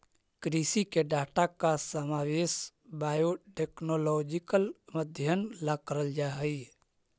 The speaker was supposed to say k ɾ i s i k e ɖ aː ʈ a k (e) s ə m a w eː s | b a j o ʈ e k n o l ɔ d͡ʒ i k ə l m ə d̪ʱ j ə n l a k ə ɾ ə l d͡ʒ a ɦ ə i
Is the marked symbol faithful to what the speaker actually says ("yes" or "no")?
no